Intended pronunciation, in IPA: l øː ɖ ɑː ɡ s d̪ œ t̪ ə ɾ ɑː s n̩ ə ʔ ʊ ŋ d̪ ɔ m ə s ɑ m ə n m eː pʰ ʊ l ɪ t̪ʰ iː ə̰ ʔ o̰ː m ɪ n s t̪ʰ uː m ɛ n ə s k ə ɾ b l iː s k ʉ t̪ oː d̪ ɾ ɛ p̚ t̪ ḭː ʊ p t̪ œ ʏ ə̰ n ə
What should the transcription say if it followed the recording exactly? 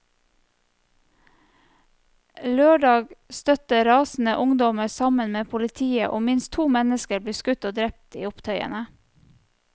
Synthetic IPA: l øː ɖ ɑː ɡ s t̪ œ t̪ ə ɾ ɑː s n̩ ə ʔ ʊ ŋ d̪ ɔ m ə s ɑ m ə n m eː pʰ ʊ l ɪ t̪ʰ iː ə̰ ʔ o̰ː m ɪ n s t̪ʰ uː m ɛ n ə s k ə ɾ b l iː s k ʉ t̪ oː d̪ ɾ ɛ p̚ t̪ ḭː ʊ p t̪ʰ œ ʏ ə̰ n ə